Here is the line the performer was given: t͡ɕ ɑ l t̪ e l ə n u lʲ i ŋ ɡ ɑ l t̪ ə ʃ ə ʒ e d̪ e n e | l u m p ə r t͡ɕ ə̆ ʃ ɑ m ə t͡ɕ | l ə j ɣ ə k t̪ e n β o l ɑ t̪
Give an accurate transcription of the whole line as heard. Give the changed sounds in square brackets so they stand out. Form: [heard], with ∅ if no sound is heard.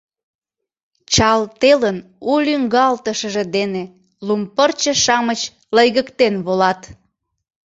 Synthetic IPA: t͡ɕ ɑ l t̪ e l ə n u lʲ [y] ŋ ɡ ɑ l t̪ ə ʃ ə ʒ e d̪ e n e | l u m p ə r t͡ɕ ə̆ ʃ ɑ m ə t͡ɕ | l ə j ɣ ə k t̪ e n β o l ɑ t̪